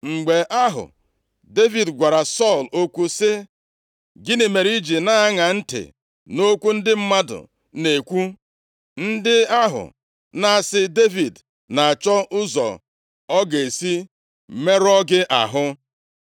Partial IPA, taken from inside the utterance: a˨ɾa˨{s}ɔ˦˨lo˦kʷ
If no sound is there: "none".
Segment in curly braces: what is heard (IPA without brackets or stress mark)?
s